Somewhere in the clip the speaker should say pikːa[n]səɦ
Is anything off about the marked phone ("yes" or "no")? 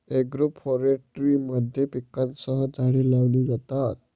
no